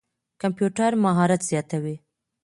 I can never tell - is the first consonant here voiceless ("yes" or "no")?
yes